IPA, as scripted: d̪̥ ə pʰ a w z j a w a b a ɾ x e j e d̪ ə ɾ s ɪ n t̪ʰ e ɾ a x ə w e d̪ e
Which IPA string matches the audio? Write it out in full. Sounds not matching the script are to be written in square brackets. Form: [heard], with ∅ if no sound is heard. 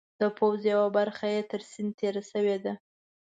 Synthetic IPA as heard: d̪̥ ə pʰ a w z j a w a b a ɾ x [a] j e [t̪] ə ɾ s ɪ n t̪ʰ e ɾ a [s] ə w e d̪ [a]